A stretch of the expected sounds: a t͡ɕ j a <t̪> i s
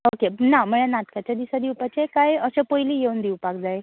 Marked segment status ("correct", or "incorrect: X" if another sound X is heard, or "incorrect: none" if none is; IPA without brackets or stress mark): incorrect: d̪